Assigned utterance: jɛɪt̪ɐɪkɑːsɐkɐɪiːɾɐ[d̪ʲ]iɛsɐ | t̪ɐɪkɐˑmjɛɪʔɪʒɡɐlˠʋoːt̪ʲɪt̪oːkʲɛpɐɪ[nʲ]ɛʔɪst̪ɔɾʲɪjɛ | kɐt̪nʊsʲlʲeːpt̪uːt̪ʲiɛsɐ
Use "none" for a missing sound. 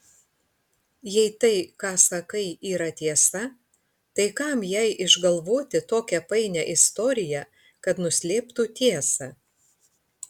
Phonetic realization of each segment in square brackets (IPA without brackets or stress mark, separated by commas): t̪ʲ, nʲ